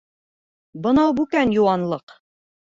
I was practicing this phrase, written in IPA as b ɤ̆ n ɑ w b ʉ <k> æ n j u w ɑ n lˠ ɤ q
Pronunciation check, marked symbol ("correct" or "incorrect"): correct